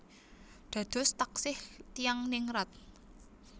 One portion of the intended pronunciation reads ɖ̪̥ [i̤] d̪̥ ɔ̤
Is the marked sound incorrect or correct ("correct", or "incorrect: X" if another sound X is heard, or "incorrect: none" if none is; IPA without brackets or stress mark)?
incorrect: a̤